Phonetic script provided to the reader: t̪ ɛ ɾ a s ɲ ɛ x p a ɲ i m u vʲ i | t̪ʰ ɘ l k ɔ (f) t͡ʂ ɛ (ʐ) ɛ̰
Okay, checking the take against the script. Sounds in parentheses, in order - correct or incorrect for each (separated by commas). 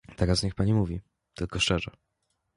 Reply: incorrect, correct